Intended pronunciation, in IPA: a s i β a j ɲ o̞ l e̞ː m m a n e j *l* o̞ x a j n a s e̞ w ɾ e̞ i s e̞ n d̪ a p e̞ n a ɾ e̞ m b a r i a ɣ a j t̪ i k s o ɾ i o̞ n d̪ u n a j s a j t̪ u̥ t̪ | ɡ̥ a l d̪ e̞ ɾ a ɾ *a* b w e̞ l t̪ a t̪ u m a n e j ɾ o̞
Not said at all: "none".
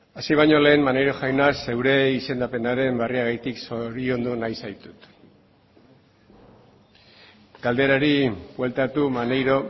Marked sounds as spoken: ɾ, i

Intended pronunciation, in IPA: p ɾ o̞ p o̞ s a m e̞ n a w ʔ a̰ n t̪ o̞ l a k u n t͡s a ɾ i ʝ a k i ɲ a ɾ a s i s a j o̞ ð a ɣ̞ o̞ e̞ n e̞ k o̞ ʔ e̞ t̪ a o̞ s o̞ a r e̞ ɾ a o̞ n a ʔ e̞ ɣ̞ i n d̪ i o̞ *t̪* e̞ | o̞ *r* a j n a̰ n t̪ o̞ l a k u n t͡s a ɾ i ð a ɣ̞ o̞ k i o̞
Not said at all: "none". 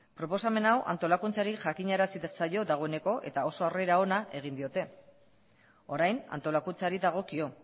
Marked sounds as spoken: t̪, ɾ

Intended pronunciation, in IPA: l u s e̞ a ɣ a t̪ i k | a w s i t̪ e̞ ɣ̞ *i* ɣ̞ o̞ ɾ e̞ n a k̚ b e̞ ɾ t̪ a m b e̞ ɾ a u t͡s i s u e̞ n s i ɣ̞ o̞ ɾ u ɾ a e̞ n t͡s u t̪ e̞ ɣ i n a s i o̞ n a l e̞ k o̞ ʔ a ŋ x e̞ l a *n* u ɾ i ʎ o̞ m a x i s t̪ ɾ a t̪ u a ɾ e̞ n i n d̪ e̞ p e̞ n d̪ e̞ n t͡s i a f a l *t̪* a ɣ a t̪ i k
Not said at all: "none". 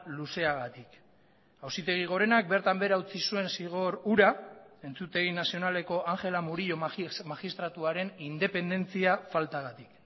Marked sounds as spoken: i, m, t̪

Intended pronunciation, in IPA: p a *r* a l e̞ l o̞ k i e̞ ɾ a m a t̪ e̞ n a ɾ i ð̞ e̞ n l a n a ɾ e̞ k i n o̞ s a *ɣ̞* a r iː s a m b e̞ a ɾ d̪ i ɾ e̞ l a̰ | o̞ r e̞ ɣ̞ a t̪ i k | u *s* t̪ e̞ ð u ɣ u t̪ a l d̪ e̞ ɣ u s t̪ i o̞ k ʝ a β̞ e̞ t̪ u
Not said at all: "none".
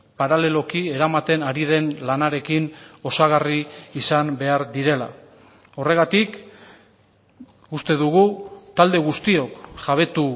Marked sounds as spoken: ɾ, ɣ̞, s

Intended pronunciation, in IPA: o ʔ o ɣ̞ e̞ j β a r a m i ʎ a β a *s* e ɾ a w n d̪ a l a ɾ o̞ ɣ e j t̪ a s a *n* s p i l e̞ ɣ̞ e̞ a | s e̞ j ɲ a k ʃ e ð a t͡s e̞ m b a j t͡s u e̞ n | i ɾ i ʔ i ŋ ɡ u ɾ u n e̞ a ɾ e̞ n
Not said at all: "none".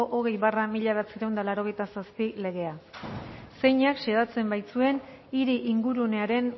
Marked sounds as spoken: t͡s, none

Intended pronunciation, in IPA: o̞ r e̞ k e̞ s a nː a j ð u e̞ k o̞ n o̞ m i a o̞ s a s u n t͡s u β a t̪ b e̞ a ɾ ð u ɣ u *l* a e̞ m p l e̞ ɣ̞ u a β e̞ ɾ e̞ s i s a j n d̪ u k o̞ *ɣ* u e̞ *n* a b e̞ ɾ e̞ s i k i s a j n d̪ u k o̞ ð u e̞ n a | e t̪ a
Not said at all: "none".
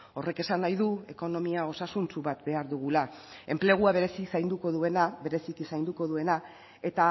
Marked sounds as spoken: l, ð, n

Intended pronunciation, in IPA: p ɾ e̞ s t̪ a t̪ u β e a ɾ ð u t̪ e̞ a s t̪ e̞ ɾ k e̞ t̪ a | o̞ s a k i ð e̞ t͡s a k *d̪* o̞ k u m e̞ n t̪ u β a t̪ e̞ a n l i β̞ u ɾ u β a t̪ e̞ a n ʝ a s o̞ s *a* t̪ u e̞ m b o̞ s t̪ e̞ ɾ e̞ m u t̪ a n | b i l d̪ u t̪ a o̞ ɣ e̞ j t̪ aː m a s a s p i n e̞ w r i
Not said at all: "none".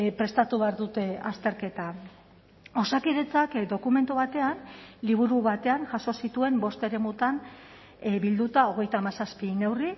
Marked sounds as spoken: d̪, i

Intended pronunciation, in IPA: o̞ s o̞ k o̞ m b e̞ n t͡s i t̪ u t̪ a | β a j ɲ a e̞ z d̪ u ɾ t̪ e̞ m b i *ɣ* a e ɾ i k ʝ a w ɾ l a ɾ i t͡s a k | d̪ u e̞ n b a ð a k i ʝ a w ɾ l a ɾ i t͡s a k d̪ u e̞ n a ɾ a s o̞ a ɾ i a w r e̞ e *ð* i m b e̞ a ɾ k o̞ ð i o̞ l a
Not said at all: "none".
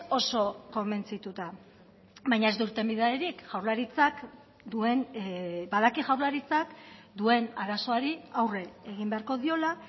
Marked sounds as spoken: ð, ɣ

